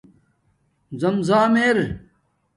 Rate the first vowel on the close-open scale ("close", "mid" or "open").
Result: open